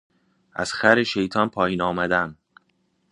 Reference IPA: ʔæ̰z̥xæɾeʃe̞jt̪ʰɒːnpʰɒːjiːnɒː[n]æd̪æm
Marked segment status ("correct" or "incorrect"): incorrect